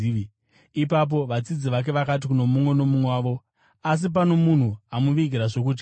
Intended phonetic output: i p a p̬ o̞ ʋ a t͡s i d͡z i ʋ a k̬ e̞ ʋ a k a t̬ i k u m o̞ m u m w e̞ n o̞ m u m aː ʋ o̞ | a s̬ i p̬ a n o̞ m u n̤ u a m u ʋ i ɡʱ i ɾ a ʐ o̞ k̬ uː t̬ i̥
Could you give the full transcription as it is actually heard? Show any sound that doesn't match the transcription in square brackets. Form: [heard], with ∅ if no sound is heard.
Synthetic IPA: i p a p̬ o̞ ʋ a t͡s i d͡z i ʋ a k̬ e̞ ʋ a k a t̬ i k u [n] o̞ m u m w e̞ n o̞ m u m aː ʋ o̞ | a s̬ i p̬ a n o̞ m u n̤ u a m u ʋ i ɡʱ i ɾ a ʐ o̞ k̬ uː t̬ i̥